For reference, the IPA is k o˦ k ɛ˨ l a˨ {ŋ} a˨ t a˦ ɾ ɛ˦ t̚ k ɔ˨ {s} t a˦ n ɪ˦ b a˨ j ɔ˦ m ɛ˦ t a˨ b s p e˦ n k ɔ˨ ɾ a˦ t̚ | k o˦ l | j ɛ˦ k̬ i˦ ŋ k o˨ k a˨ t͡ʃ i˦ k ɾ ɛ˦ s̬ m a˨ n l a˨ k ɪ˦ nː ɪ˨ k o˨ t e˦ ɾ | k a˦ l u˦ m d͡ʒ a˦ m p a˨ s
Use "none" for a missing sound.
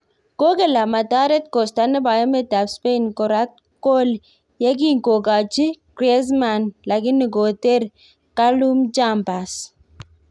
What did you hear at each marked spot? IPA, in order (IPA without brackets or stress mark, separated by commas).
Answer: m, s